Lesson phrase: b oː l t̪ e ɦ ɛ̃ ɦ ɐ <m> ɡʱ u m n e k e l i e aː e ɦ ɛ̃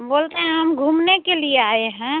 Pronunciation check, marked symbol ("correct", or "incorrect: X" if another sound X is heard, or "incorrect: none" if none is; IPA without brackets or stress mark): correct